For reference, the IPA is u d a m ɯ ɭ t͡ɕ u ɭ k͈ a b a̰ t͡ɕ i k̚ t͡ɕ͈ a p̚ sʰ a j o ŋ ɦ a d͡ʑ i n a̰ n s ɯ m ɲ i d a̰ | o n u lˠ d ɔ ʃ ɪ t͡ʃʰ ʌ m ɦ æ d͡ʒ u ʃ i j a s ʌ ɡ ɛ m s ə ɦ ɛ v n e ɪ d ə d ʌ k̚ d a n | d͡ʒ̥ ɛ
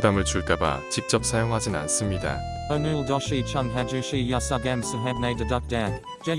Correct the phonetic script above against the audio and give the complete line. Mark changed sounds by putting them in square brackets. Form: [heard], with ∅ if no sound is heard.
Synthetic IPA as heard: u d a m ɯ ɭ t͡ɕ u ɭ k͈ a b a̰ t͡ɕ i k̚ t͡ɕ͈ [ʌ] p̚ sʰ a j o ŋ ɦ a d͡ʑ i n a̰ n s ɯ m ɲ i d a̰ | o n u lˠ d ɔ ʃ [i] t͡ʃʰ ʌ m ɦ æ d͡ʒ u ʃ i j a s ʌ ɡ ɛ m s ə ɦ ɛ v n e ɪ d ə d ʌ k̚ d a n | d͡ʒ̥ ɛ